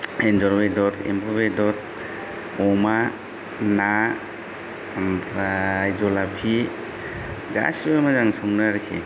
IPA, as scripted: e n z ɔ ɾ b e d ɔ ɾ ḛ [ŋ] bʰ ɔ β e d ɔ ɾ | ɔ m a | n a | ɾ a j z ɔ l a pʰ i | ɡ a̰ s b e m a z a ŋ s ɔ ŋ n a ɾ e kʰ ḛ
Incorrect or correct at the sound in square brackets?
incorrect: m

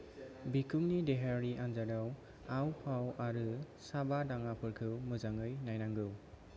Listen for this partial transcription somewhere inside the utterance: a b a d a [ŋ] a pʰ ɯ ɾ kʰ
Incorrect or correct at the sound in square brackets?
correct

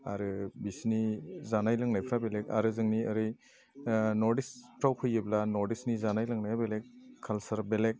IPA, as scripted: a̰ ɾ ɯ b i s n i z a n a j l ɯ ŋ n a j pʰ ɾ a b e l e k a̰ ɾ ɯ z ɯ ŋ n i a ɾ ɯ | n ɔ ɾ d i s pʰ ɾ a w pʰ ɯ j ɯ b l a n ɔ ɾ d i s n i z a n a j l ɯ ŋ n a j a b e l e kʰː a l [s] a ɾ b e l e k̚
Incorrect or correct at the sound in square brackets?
correct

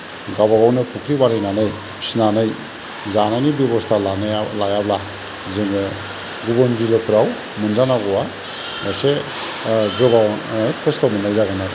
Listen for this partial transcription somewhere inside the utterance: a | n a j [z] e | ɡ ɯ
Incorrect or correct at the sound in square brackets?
incorrect: s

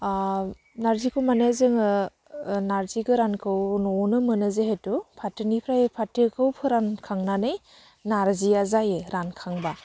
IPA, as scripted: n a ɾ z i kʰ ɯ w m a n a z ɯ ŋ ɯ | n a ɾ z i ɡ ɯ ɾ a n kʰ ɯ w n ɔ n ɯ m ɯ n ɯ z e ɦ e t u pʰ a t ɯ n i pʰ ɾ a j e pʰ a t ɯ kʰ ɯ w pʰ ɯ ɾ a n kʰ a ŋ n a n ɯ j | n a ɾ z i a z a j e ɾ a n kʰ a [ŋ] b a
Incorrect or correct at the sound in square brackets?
correct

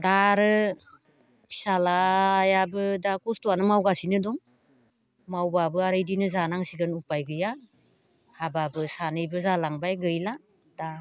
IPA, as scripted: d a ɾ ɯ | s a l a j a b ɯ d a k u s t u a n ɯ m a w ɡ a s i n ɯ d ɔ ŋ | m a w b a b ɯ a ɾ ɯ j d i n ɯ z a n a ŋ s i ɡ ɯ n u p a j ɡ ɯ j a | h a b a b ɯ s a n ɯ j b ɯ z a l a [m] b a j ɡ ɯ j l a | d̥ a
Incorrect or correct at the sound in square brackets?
incorrect: ŋ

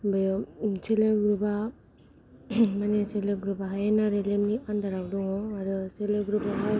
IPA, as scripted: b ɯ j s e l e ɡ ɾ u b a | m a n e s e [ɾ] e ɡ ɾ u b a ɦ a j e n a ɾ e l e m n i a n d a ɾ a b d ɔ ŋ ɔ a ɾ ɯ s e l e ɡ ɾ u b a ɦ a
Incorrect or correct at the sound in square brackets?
incorrect: l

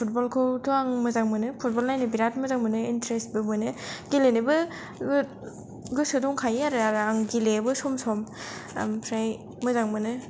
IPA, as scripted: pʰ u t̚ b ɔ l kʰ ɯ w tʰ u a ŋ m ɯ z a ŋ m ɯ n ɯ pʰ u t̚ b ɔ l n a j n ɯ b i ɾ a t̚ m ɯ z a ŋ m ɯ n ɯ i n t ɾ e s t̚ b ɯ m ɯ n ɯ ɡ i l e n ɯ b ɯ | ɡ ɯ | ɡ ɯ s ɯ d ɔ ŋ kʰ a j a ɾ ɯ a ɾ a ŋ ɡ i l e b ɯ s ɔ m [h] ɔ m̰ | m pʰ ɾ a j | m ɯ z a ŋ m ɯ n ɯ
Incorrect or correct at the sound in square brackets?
incorrect: s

